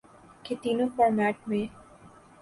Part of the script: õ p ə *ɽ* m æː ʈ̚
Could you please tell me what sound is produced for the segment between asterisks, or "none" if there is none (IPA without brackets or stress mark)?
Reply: ɾ